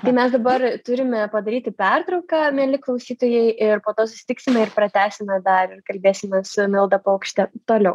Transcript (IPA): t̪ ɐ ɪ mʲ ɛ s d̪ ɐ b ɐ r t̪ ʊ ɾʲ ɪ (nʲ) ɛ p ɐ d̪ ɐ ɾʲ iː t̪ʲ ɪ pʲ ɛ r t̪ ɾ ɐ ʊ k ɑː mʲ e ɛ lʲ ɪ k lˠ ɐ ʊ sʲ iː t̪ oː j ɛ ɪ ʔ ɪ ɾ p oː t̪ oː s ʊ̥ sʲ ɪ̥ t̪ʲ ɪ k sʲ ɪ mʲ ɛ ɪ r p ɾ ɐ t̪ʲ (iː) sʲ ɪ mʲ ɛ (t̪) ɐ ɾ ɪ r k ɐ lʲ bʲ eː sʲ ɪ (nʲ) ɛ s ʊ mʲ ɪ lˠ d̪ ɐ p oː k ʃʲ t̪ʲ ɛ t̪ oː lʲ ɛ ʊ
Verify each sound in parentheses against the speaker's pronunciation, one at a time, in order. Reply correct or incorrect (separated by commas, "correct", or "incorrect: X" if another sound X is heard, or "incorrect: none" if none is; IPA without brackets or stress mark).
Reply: incorrect: mʲ, incorrect: æː, incorrect: d̪, incorrect: mʲ